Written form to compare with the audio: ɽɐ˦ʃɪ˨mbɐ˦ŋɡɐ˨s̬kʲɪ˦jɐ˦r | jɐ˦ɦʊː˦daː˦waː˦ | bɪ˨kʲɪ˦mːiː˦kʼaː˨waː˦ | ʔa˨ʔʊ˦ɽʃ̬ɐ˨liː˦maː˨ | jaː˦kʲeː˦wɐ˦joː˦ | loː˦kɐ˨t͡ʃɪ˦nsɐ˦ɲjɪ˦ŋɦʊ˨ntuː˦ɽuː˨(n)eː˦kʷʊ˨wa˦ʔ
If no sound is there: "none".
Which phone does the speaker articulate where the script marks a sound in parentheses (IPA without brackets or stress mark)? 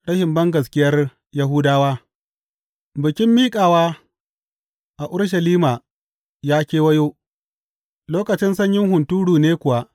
n